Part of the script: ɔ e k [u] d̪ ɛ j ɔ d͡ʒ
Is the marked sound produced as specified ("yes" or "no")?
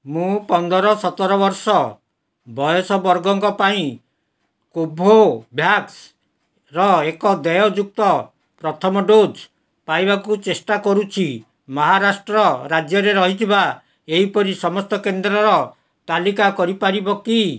no